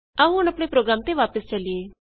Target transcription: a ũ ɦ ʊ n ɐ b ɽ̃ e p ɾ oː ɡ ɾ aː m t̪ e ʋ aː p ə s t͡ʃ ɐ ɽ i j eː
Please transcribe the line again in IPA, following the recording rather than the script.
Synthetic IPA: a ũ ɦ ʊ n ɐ p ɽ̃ e p ɾ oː ɡ ɾ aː m t̪ e ʋ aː p ə s t͡ʃ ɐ l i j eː

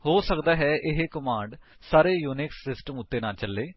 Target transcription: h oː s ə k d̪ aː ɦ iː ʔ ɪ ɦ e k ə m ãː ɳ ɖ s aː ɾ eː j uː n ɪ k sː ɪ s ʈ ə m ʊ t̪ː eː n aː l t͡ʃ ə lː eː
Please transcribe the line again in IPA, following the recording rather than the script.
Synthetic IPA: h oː s ə k d̪ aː ɦ ɛː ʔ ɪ ɦ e k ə m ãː ɳ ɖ s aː ɾ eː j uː n ɪ k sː ɪ s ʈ ə m ʊ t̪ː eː n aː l t͡ʃ ə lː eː

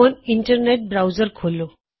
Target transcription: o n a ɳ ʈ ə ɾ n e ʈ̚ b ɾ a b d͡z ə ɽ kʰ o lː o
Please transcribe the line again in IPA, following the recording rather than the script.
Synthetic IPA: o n i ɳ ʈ ə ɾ n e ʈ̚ b ɾ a w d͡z ə ɾ kʰ o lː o

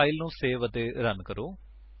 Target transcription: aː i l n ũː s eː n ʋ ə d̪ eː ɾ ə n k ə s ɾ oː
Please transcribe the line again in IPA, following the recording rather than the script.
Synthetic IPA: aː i l n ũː s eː ʋ ə t̪ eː ɾ ə n k ə ɾ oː

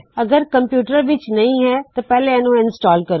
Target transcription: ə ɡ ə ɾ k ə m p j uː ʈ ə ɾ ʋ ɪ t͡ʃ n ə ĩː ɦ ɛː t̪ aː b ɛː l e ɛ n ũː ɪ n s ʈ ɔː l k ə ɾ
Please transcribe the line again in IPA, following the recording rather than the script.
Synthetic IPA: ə ɡ ə ɾ k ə m p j uː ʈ ə ɾ ʋ ɪ t͡ʃ n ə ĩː ɦ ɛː t̪ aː p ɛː l e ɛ n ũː ɪ n s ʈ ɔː l k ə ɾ

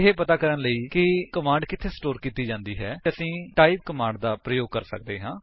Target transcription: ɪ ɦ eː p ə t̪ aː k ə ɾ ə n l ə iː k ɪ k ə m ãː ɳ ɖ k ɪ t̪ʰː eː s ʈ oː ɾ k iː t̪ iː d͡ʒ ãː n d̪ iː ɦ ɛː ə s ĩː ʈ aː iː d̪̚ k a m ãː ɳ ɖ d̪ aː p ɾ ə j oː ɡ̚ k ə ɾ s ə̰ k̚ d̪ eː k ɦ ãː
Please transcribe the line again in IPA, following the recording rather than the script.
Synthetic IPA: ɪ ɦ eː p ə t̪ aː k ə ɾ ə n l ə iː k ɪ k ə m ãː ɳ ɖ k ɪ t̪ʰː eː s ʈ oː ɾ k iː t̪ iː d͡ʒ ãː n d̪ iː ɦ ɛː ə s ĩː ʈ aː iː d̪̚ k ə m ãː ɳ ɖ d̪ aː p ɾ ə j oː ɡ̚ k ə ɾ s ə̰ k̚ d̪ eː ɦ ãː

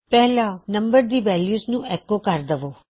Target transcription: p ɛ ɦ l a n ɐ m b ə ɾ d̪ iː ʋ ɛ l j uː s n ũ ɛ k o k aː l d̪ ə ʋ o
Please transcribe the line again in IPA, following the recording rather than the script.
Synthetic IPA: p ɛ ɦ l a n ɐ m b ə ɾ d̪ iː ʋ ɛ l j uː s n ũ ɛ k o k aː ɾ d̪ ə ʋ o

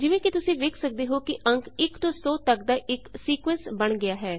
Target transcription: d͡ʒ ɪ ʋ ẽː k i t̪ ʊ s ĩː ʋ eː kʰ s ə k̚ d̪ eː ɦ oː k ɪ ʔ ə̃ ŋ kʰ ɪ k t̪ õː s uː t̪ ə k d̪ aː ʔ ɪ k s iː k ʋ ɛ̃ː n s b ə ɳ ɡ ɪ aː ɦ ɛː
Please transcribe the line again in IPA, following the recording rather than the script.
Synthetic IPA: d͡ʒ ɪ ʋ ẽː k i t̪ ʊ s ĩː ʋ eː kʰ s ə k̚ d̪ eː ɦ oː k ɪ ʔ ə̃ ŋ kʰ ɪ k t̪ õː s ɔː t̪ ə k d̪ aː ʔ ɪ k s iː k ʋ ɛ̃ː n s b ə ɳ ɡ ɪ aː ɦ ɛː

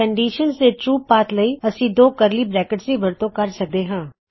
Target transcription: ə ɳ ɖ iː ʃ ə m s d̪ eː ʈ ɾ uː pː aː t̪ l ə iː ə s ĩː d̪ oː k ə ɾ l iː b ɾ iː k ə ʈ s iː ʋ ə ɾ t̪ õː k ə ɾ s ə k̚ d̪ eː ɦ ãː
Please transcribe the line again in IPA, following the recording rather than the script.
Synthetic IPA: ə ɳ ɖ iː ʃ ə n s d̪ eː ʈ ɾ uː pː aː t̪ l ə iː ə s ĩː d̪ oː k ə ɾ l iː b ɾ ɛː k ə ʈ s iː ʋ ə ɾ t̪ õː k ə ɾ s ə k̚ d̪ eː ɦ ãː

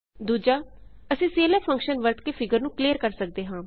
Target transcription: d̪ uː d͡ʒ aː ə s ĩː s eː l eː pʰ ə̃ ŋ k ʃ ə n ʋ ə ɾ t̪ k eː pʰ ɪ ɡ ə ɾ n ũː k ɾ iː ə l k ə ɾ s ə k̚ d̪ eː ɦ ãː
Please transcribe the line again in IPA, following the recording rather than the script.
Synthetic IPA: d̪ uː d͡ʒ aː ə s ĩː s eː l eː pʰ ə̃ ŋ k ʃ ə n ʋ ə ɾ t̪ k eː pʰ ɪ ɡ ə ɾ n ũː k l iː ə ɾ k ə ɾ s ə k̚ d̪ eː ɦ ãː

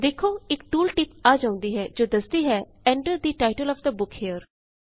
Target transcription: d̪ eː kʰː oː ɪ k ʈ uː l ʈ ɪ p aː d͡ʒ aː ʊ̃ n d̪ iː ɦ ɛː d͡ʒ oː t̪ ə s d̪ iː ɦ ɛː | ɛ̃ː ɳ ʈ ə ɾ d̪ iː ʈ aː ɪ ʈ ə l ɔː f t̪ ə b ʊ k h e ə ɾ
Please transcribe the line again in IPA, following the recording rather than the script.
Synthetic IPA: d̪ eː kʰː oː ɪ k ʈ uː l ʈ ɪ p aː d͡ʒ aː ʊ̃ n d̪ iː ɦ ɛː d͡ʒ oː d̪ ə s d̪ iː ɦ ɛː | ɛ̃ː ɳ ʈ ə ɾ d̪ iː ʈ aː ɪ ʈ ə l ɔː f d̪ ə b ʊ k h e ə ɾ

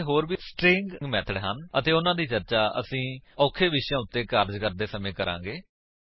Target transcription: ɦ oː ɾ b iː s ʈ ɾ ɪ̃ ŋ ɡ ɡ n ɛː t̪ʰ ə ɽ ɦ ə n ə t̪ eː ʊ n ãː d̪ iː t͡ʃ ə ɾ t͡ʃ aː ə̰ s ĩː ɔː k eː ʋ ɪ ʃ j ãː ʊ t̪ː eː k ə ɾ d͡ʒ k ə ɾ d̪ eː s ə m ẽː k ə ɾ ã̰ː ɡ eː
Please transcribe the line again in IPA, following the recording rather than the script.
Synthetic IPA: ɦ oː ɾ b iː s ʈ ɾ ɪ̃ ŋ ɡ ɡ m ɛː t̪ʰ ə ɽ ɦ ə n ə t̪ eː ʊ n ãː d̪ iː t͡ʃ ə ɾ t͡ʃ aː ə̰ s ĩː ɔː kʰ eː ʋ ɪ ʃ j ãː ʊ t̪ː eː k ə ɾ d͡ʒ k ə ɾ d̪ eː s ə m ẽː k ə ɾ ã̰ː ɡ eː

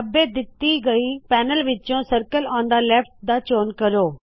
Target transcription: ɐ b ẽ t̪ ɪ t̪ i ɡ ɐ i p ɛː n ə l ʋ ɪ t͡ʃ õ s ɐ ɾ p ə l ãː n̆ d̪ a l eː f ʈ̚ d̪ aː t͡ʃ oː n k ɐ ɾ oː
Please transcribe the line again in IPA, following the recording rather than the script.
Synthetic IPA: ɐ b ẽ d̪ ɪ t̪ i ɡ ɐ i p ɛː n ə l ʋ ɪ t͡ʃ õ s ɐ ɾ k ə l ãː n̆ d̪ a l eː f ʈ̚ d̪ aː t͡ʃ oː n k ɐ ɾ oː

